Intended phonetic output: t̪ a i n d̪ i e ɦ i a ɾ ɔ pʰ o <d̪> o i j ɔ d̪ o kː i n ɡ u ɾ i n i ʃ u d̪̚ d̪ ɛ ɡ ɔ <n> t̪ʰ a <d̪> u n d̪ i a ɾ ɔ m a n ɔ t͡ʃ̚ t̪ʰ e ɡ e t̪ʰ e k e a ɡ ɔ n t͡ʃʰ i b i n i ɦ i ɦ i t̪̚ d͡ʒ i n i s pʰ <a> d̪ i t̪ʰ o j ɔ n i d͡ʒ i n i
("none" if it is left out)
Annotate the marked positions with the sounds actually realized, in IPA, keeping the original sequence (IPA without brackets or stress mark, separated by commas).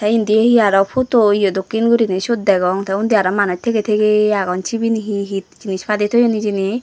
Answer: t̪, ŋ, none, a